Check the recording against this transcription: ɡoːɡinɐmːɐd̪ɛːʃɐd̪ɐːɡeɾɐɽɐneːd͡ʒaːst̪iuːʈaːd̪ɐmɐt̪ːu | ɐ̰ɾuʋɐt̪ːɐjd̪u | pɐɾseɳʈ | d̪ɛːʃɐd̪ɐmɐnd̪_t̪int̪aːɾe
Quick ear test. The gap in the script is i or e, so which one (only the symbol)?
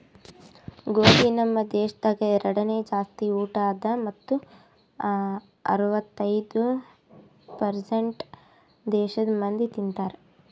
i